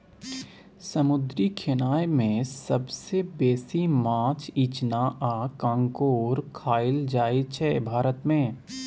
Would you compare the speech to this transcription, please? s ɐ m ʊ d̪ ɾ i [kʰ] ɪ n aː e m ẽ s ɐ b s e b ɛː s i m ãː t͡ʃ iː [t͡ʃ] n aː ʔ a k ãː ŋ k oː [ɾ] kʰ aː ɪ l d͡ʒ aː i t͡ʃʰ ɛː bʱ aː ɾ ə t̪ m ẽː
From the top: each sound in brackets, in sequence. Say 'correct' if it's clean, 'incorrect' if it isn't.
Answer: correct, correct, correct

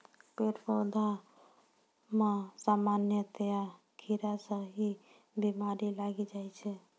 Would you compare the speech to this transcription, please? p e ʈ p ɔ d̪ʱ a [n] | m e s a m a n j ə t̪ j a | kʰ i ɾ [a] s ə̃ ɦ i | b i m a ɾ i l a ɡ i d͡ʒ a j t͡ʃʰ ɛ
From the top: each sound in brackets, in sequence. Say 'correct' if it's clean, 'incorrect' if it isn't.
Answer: incorrect, correct

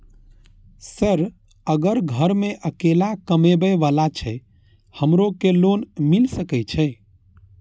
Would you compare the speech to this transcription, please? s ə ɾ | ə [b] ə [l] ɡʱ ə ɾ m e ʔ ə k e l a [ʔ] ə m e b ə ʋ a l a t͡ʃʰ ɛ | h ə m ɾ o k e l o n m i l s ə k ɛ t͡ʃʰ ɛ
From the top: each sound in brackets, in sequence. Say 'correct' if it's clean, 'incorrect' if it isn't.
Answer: incorrect, incorrect, incorrect

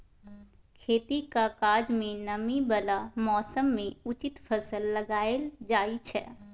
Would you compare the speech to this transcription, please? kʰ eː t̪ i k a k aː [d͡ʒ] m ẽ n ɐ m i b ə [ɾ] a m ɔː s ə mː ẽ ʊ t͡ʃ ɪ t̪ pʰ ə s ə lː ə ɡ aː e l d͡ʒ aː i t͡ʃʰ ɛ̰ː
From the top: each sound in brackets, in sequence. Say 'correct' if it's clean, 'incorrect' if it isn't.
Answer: correct, incorrect

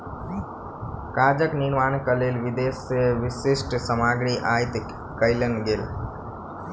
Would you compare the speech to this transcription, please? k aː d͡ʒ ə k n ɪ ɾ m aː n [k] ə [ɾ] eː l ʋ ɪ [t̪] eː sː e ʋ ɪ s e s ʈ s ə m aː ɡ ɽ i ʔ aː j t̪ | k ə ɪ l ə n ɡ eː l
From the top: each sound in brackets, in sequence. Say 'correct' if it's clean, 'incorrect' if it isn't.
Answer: correct, incorrect, incorrect

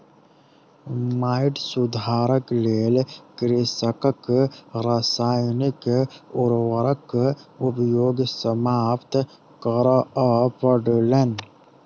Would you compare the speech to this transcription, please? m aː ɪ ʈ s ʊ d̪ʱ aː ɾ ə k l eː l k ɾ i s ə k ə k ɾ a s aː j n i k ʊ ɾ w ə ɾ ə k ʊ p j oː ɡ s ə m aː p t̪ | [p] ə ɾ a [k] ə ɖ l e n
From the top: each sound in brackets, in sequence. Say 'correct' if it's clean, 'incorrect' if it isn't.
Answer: incorrect, incorrect

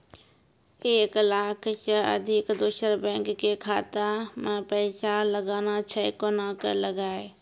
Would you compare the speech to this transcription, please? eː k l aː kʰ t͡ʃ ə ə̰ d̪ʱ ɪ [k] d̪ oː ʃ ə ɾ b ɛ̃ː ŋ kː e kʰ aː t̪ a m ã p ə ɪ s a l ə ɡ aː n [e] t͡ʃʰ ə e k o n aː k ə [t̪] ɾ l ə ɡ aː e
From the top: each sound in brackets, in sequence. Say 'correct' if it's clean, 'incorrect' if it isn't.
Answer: correct, incorrect, incorrect

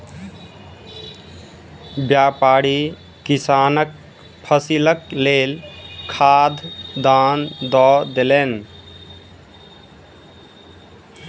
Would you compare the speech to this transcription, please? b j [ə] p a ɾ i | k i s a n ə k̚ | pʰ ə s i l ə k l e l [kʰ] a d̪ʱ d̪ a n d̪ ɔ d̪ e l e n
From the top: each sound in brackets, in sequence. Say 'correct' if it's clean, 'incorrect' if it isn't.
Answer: incorrect, correct

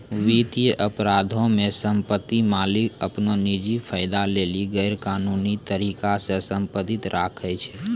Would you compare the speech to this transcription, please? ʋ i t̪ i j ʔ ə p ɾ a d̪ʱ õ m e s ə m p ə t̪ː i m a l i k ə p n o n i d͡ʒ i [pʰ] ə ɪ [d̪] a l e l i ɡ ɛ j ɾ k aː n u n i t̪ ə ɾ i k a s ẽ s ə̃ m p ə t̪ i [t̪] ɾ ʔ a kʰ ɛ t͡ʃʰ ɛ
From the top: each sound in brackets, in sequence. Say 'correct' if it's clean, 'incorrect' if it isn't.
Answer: correct, correct, correct

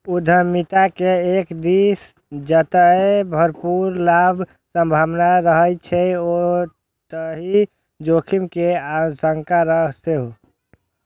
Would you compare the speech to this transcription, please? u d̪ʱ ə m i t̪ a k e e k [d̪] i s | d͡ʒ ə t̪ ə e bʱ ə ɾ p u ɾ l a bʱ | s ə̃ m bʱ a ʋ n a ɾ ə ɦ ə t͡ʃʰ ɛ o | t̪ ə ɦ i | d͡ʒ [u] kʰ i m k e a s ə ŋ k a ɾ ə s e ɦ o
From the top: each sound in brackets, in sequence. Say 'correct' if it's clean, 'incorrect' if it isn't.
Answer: correct, incorrect

